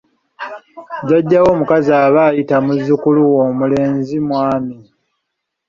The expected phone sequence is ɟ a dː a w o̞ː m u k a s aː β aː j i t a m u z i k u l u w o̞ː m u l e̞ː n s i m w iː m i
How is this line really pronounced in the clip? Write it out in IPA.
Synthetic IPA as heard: ɟ a ɟː a w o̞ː m u k a z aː β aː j i t a m u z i k u l u w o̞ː m u l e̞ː n z i m w aː m i